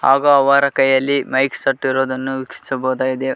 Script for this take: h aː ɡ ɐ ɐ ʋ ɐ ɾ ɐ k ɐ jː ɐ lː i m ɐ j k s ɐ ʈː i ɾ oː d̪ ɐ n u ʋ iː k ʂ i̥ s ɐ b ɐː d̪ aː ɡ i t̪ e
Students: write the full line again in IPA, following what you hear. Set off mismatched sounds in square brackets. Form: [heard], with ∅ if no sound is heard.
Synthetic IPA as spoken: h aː ɡ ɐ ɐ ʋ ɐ ɾ ɐ k ɐ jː ɐ lː i m ɐ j k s ɐ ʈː i ɾ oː d̪ ɐ [nː] u ʋ [i] k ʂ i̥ s ɐ b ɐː d̪ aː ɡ i [d̪] e